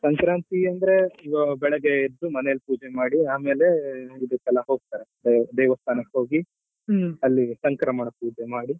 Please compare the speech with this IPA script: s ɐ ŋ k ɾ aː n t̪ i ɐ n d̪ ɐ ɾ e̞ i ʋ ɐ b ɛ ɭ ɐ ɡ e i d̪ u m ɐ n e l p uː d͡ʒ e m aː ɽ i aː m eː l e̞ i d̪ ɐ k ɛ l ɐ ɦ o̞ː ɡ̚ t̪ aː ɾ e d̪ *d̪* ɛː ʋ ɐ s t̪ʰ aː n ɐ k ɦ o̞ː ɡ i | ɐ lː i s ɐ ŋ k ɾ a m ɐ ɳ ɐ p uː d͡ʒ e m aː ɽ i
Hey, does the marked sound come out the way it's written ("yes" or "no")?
yes